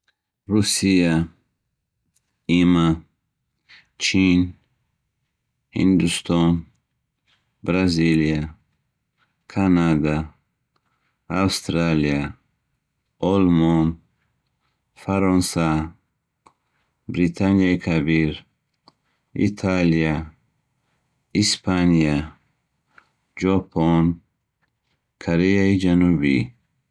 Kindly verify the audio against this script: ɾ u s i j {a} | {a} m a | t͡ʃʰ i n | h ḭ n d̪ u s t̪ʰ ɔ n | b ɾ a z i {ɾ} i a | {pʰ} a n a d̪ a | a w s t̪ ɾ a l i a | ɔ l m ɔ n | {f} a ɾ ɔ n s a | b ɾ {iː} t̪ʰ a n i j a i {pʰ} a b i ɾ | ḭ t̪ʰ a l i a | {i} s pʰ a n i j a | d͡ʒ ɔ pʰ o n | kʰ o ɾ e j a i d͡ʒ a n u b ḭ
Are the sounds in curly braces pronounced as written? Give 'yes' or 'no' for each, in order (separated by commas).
yes, no, no, no, yes, no, no, yes